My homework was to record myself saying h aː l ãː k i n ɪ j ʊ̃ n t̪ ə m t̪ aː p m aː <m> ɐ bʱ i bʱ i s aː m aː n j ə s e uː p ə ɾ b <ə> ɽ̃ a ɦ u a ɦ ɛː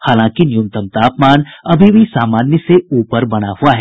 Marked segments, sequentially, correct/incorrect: incorrect, incorrect

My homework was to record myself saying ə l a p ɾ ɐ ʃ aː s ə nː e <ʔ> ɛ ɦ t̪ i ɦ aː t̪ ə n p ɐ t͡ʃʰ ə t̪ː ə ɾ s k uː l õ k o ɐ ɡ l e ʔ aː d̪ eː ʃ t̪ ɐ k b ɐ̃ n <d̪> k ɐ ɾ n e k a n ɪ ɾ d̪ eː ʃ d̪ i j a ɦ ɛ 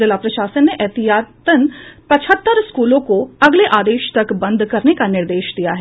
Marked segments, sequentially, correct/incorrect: correct, correct

